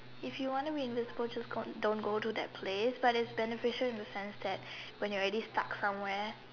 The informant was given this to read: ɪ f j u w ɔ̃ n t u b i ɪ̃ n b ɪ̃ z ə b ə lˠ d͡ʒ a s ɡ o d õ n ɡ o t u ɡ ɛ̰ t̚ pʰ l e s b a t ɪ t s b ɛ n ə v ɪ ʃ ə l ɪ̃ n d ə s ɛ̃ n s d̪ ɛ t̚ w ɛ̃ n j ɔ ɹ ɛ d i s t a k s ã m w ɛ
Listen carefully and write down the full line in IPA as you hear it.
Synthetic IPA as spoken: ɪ f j u w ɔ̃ n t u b i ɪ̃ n v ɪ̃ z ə b ə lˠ d͡ʒ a s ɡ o d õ n ɡ o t u d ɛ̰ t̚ pʰ l e s b a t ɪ t s b ɛ n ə f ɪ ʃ ə l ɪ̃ n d ə s ɛ̃ n s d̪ ɛ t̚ w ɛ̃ n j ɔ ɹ ɛ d i s t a k s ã m w ɛ